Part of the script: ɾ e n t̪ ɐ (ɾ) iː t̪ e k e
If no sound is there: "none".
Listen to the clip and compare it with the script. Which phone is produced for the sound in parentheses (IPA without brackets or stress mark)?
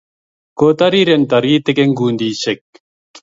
ɾ